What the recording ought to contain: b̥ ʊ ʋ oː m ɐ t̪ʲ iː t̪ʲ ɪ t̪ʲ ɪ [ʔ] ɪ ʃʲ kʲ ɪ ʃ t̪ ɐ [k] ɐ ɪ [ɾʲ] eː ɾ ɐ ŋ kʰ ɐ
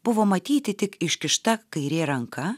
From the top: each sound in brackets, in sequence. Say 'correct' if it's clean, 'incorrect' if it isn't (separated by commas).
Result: incorrect, correct, correct